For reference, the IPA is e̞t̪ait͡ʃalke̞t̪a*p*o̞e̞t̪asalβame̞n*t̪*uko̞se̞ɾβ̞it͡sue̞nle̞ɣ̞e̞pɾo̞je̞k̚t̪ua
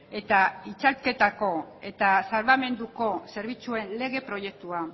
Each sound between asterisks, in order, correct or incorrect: incorrect, incorrect

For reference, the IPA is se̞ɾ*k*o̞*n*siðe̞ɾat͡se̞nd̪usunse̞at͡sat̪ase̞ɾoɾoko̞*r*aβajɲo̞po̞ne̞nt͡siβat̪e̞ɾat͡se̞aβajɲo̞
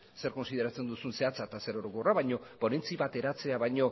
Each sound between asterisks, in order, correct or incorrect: correct, correct, correct

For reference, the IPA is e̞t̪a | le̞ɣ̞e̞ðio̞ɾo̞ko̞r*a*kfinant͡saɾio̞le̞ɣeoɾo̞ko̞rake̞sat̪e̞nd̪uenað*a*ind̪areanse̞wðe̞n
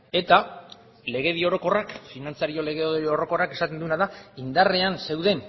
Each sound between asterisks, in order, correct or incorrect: correct, correct

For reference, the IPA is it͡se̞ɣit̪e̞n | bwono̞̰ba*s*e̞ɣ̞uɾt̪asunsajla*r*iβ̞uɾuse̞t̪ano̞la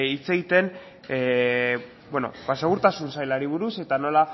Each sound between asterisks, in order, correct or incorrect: correct, incorrect

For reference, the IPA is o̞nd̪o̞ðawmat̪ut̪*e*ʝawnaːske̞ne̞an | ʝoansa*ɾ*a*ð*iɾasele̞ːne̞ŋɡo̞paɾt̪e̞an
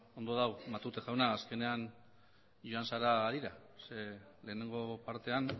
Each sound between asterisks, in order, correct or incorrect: correct, correct, correct

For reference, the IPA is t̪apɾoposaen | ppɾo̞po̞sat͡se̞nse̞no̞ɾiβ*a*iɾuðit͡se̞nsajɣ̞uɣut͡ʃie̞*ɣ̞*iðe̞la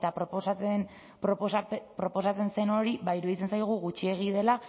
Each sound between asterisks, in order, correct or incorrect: correct, correct

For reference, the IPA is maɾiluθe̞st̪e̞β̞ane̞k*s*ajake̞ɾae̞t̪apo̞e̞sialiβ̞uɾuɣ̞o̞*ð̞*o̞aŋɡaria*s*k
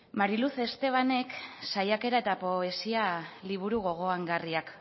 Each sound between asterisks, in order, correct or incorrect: correct, incorrect, incorrect

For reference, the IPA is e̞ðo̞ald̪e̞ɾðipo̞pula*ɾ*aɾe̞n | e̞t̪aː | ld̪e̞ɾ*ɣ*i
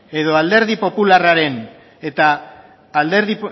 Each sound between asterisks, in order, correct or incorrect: incorrect, incorrect

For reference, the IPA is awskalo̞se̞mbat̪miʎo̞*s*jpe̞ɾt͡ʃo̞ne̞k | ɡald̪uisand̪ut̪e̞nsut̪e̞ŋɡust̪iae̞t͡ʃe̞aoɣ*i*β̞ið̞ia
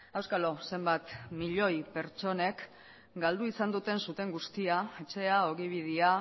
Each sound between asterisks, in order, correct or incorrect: incorrect, correct

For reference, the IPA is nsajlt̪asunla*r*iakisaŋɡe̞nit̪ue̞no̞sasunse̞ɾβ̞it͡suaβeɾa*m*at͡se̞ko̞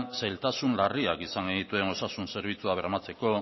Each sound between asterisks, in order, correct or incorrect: correct, correct

